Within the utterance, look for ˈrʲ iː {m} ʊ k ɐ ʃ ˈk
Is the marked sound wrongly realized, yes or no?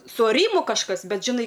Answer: no